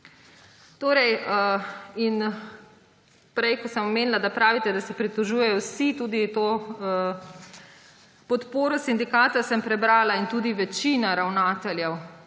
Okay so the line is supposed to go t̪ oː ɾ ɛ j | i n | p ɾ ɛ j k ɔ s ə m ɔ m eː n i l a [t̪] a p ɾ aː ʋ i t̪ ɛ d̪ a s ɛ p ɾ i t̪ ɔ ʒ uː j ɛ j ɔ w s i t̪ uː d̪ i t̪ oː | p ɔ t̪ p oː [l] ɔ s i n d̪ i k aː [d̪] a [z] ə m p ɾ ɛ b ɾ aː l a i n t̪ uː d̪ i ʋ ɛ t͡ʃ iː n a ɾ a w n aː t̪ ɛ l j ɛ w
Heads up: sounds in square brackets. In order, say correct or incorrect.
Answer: incorrect: d̪, incorrect: ɾ, incorrect: t̪, incorrect: s

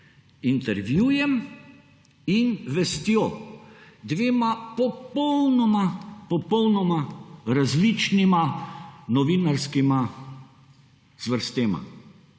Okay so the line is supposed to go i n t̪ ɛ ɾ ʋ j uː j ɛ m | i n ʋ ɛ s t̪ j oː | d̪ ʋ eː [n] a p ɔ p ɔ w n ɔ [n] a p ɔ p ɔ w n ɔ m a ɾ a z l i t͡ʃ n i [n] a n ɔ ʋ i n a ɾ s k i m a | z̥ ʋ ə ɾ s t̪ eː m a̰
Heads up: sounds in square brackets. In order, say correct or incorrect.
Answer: incorrect: m, incorrect: m, incorrect: m

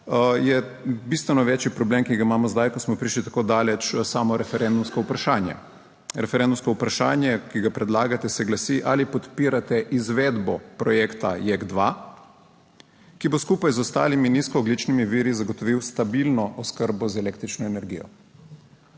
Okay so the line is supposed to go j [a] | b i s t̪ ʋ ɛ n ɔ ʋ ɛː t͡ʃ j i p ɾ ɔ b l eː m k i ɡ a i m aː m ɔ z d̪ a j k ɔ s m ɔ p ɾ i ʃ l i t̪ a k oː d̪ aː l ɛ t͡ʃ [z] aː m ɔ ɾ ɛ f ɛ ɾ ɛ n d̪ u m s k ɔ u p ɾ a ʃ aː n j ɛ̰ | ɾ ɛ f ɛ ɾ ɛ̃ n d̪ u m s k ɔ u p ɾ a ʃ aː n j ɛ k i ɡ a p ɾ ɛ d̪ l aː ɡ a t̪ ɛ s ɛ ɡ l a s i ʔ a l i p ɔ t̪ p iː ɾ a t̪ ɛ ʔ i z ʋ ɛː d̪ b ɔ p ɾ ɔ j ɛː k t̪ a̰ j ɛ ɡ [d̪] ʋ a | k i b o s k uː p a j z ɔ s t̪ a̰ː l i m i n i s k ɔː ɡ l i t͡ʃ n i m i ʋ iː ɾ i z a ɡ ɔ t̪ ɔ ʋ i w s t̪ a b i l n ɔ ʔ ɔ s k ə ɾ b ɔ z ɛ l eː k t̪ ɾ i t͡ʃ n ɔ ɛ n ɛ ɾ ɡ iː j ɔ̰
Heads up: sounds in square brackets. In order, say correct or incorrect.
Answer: incorrect: ɛ, incorrect: s, correct

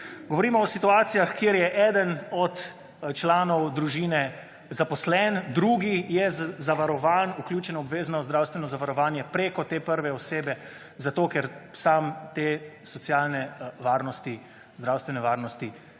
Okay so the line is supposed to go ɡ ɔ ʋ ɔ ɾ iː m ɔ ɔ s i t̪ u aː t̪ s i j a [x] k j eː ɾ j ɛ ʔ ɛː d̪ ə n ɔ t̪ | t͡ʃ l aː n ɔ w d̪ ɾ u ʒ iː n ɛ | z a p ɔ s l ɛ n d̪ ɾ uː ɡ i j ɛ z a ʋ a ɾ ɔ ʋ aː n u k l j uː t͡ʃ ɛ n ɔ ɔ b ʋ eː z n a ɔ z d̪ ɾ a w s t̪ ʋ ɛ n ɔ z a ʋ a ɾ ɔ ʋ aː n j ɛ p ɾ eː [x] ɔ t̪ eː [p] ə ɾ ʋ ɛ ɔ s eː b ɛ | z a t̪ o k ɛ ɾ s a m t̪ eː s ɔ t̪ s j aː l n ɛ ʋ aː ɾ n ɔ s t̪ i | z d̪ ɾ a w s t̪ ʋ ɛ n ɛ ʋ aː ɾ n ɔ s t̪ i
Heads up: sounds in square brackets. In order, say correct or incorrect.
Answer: correct, incorrect: k, correct

